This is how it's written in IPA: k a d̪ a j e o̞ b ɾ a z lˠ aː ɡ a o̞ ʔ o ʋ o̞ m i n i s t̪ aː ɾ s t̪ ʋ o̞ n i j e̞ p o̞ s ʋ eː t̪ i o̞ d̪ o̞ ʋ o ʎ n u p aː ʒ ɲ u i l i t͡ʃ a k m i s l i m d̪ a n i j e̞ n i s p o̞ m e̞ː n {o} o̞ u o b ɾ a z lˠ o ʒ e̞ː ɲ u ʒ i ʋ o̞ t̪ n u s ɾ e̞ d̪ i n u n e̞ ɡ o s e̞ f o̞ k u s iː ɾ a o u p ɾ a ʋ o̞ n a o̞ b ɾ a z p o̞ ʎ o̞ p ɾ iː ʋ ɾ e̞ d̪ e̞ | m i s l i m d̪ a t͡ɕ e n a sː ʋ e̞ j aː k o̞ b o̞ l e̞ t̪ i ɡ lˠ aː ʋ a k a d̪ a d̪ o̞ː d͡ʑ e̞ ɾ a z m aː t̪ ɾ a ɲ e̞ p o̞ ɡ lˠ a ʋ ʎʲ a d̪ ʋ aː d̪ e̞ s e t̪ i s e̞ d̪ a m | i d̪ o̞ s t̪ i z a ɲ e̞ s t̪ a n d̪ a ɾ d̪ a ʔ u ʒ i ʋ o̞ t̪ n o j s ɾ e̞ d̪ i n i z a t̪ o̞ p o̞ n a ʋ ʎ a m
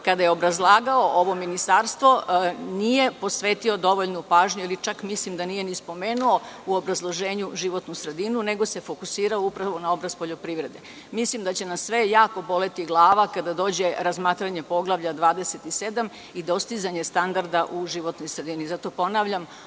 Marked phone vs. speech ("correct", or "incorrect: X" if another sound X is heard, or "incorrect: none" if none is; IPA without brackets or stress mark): incorrect: u